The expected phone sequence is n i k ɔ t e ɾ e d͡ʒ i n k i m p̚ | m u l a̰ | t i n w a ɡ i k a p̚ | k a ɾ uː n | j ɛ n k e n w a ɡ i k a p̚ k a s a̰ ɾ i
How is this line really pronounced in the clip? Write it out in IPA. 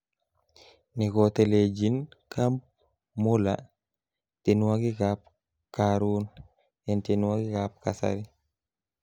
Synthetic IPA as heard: n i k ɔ t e l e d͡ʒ i n k a m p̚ | m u l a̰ | t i n w a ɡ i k a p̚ | k a ɾ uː n | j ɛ n t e n w a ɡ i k a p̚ k a s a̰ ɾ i